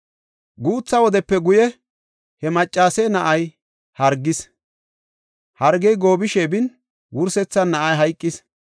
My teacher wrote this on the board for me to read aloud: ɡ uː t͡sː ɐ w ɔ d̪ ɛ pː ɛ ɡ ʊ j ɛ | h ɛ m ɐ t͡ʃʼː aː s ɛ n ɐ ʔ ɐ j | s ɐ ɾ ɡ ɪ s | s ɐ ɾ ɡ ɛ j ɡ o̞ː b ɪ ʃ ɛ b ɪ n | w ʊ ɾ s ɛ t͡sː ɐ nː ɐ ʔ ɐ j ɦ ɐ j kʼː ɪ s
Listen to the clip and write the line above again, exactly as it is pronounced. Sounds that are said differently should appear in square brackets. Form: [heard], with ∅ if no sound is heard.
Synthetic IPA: ɡ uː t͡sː ɐ w ɔ d̪ ɛ pː ɛ ɡ ʊ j ɛ | h ɛ m ɐ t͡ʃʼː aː s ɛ n ɐ ʔ ɐ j | [h] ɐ ɾ ɡ ɪ s | [h] ɐ ɾ ɡ ɛ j ɡ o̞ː b ɪ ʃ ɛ b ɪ n | w ʊ ɾ s ɛ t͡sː ɐ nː ɐ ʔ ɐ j ɦ ɐ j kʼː ɪ s